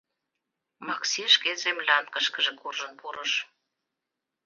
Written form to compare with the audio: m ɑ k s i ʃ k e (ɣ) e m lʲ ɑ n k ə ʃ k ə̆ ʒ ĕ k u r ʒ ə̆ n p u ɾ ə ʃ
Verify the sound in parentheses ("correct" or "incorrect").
incorrect